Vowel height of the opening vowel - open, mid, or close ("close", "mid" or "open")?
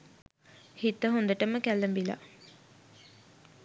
close